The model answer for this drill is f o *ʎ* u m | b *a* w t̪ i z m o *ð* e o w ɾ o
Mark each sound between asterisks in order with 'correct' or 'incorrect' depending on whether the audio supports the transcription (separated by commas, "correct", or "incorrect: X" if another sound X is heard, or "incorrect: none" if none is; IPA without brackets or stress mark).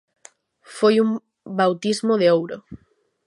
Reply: incorrect: j, correct, correct